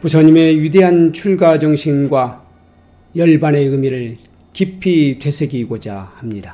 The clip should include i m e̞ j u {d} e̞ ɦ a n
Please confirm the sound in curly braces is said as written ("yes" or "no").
yes